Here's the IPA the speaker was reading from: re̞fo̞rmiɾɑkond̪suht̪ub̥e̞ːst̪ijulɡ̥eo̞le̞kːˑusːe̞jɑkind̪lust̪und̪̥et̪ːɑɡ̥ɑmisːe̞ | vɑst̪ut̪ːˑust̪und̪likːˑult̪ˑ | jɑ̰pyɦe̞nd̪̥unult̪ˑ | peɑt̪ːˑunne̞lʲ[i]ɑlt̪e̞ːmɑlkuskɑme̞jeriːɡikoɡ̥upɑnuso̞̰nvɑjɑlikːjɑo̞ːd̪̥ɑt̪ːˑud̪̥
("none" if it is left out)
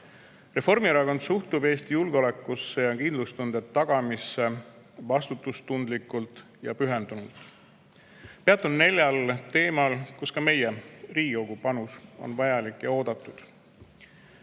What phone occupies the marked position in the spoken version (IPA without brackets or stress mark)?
j